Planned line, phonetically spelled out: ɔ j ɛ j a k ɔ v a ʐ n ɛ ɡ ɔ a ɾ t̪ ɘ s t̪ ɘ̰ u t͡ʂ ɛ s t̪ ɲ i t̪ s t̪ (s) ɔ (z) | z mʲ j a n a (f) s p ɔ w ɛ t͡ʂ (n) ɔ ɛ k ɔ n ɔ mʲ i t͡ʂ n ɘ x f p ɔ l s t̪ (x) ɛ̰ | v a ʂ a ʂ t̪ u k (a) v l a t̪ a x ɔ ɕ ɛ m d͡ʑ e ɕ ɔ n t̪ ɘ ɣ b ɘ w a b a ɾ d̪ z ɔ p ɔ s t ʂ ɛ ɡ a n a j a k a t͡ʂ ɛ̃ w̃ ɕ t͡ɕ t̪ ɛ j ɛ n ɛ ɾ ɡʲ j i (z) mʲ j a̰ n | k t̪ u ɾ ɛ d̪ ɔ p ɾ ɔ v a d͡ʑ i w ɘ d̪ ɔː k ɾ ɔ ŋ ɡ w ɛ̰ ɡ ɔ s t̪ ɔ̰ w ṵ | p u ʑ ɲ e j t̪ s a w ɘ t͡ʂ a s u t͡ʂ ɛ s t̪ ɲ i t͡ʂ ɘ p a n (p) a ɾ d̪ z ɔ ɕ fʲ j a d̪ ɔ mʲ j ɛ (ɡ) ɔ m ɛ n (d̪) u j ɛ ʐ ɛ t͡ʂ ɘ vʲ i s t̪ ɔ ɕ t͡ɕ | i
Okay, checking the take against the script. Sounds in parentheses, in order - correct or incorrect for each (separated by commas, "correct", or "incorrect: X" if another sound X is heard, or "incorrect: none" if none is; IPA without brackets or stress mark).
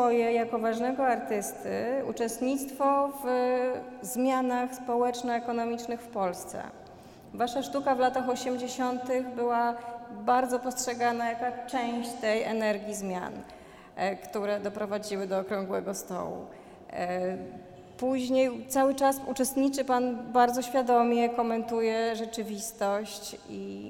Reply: incorrect: f, incorrect: v, incorrect: x, correct, incorrect: s, correct, correct, incorrect: b, incorrect: k, incorrect: t̪